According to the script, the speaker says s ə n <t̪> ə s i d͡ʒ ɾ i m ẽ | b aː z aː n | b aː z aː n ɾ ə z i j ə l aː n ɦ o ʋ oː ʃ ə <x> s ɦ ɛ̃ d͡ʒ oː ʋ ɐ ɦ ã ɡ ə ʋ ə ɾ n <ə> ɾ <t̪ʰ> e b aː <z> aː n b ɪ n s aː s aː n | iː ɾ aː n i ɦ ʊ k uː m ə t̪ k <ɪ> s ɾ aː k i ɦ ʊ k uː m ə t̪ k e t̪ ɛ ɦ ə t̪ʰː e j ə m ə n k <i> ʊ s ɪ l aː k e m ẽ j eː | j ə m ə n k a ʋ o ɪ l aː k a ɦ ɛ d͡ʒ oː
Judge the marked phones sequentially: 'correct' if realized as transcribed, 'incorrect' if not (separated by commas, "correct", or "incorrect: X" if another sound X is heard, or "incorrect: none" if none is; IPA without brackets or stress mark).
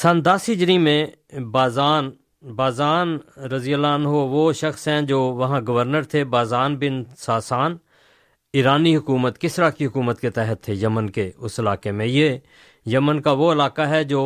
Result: incorrect: d̪, correct, correct, correct, correct, correct, incorrect: e